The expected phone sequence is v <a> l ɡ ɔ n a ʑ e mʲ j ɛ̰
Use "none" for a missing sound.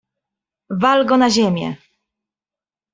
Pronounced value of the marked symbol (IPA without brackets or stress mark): a